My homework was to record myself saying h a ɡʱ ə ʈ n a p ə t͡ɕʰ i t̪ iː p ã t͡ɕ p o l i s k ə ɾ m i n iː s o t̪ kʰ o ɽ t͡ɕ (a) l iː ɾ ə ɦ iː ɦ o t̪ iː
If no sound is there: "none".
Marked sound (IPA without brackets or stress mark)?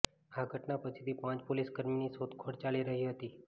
a